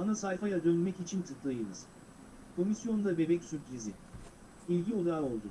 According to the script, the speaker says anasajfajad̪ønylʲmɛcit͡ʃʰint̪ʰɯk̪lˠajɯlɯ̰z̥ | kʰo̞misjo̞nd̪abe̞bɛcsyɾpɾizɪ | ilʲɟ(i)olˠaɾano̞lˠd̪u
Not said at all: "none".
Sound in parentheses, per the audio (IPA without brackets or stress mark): i